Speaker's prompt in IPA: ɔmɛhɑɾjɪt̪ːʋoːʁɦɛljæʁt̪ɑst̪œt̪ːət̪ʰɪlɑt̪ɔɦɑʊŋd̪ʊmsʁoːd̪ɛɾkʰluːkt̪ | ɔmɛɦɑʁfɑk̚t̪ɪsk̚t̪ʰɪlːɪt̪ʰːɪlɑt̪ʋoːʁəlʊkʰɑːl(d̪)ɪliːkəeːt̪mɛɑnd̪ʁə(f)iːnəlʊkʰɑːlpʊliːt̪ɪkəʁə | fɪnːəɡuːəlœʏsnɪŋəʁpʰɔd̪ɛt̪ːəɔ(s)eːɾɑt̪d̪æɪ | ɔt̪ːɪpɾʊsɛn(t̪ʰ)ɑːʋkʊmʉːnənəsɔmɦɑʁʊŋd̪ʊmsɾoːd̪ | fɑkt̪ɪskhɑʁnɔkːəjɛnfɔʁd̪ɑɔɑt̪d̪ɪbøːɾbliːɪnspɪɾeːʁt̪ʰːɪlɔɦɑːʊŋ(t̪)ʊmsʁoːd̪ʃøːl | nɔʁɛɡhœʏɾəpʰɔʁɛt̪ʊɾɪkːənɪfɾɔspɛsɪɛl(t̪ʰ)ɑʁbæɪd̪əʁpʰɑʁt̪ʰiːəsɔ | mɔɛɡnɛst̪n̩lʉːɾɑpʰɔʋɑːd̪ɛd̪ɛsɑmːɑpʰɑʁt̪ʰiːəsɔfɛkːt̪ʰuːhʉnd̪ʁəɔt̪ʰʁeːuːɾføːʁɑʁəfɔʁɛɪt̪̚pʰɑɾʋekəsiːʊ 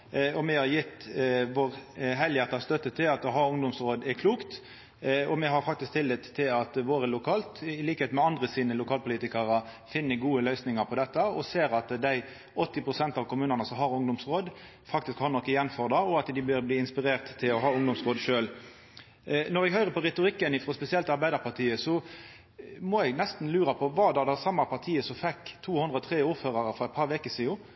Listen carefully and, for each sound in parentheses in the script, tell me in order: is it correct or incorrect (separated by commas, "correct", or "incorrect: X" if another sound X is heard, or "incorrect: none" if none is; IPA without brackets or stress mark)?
incorrect: t̪, incorrect: s, correct, incorrect: t̪, incorrect: d̪, incorrect: t̪